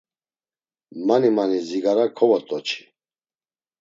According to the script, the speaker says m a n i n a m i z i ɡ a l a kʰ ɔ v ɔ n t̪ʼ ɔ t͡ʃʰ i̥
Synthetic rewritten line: m a n i m a n i z i ɡ a ɾ a kʰ ɔ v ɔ t̪ʼ ɔ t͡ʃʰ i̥